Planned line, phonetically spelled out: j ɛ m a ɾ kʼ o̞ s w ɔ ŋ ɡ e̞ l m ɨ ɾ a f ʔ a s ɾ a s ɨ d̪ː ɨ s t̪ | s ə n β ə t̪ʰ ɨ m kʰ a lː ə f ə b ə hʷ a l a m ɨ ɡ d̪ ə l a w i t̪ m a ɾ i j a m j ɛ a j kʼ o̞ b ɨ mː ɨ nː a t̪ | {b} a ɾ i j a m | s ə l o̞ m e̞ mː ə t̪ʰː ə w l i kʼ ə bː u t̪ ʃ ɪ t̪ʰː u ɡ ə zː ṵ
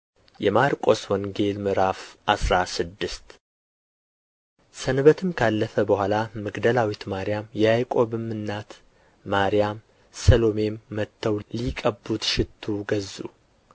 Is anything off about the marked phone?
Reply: yes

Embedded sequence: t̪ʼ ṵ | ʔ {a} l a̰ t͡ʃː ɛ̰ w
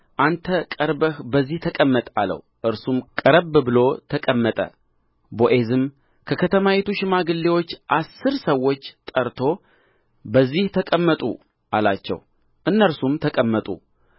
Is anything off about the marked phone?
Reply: no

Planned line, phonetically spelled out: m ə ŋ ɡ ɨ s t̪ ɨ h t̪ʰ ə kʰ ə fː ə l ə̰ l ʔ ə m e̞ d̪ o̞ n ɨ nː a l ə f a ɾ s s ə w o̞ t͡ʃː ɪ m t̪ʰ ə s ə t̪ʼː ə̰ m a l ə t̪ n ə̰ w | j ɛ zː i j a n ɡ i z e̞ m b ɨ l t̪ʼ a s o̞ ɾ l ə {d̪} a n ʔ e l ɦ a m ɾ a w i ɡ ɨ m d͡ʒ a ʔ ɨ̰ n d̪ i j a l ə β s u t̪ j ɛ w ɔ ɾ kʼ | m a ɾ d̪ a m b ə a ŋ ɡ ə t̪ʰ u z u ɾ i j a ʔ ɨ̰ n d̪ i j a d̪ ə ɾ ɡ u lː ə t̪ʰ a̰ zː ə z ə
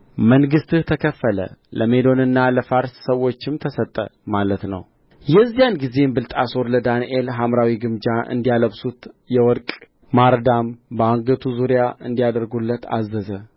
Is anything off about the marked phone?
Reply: no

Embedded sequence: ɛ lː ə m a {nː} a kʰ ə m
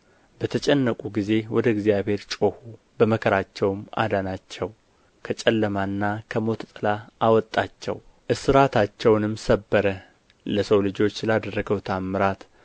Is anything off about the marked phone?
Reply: no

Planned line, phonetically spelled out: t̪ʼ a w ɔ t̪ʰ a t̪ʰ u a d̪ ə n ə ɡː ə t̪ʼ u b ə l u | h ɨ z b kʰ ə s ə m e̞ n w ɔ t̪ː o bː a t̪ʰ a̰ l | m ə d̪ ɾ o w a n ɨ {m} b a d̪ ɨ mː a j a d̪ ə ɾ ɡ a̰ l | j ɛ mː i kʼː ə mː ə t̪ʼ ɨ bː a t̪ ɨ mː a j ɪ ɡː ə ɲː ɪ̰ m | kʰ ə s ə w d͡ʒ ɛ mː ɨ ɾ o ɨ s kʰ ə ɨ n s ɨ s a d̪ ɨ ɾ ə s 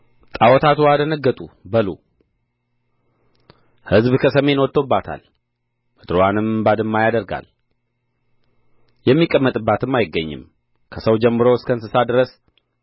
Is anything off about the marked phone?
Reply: no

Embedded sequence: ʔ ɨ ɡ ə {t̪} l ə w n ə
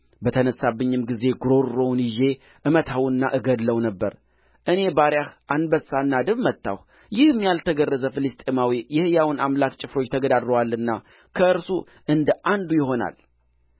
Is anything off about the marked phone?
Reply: yes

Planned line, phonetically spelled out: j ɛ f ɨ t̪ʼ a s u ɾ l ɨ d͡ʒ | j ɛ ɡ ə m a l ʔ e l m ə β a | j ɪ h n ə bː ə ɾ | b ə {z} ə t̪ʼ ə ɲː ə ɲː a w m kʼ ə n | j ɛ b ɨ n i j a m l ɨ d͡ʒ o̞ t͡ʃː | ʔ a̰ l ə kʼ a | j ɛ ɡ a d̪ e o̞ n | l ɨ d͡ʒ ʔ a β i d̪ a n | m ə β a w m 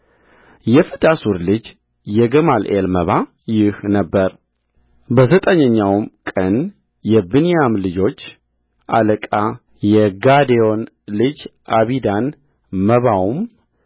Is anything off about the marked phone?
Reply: no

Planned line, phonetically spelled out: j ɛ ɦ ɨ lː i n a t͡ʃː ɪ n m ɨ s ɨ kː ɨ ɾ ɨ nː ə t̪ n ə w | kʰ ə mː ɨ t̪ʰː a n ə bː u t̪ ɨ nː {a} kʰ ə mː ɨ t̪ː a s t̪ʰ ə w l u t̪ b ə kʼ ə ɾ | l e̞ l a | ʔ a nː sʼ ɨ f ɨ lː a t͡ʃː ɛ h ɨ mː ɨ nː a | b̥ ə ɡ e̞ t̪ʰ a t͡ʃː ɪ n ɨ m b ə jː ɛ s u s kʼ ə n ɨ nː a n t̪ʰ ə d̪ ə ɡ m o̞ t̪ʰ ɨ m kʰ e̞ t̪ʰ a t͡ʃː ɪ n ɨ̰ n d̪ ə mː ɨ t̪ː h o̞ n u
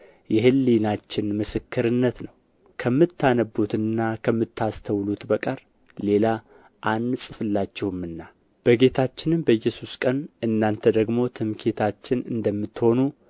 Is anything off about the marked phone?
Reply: no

